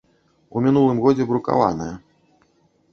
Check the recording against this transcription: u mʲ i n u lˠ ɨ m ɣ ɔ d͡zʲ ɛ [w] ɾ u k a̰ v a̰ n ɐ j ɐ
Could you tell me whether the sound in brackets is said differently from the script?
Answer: yes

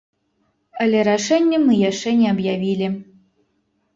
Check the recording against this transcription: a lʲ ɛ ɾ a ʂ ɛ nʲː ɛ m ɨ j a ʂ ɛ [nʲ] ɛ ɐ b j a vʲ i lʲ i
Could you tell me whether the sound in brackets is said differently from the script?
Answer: no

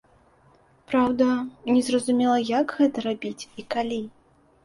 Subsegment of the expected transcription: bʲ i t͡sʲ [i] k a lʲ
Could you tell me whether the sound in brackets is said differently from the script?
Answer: no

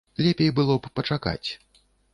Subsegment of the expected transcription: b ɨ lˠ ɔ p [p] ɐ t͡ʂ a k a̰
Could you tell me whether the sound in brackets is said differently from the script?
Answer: no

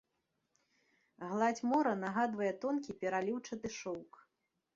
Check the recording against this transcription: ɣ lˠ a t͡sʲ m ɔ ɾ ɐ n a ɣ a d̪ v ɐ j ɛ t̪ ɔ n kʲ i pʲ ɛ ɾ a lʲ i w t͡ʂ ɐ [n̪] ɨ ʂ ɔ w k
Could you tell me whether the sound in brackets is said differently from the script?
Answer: yes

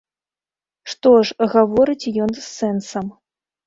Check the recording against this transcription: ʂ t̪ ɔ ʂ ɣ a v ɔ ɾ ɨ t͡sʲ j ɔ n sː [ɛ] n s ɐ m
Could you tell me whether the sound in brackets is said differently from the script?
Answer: no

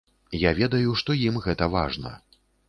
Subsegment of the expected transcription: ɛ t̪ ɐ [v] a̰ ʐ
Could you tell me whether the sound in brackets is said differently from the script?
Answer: no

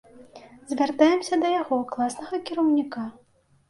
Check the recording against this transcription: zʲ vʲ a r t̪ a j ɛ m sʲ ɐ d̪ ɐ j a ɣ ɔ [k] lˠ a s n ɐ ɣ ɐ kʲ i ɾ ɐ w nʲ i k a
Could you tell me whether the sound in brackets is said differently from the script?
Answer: no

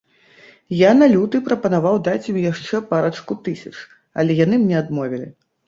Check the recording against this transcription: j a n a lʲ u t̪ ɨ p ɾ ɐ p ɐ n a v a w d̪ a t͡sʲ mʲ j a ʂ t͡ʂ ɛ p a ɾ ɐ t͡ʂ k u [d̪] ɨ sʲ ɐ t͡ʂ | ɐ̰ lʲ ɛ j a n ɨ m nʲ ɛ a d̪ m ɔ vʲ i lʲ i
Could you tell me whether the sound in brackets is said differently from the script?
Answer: yes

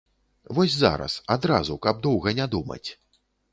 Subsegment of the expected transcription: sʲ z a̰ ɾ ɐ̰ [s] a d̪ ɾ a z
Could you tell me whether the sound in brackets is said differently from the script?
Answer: no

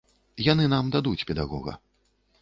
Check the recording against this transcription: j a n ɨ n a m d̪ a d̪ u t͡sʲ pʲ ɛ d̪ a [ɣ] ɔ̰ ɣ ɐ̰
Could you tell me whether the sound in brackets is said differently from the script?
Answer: no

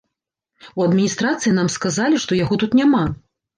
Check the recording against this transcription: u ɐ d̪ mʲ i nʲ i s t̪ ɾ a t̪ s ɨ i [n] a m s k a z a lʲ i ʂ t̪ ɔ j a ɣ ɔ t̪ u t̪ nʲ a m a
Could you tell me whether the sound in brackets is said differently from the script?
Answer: no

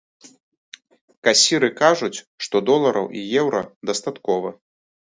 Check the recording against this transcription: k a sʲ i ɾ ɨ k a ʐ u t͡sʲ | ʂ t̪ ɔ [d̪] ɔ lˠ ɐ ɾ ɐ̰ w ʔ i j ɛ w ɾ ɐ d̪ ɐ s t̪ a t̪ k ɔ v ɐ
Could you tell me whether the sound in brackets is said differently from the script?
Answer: no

